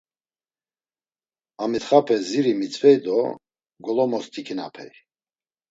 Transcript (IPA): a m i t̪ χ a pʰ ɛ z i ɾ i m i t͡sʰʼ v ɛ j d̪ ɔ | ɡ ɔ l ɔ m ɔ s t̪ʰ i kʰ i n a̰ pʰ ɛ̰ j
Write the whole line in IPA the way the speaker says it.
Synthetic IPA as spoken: a m i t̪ χ a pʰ ɛ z i ɾ i m i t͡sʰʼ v ɛ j d̪ ɔ | ɡ ɔ l ɔ m ɔ s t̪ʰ i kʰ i n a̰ pʰ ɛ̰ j